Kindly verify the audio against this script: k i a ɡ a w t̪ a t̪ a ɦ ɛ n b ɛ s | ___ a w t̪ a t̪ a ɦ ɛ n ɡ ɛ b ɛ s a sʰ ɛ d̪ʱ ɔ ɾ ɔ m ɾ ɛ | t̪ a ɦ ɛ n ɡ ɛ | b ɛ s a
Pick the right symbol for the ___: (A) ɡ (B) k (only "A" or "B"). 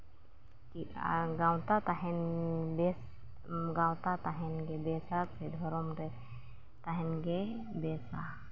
A